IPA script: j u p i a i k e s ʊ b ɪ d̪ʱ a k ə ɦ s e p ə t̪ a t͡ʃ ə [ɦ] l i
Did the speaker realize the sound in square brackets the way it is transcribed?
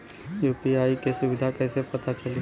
no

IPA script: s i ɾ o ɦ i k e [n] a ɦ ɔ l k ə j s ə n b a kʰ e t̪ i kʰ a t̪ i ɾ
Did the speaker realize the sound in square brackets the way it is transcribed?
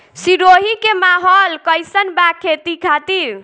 no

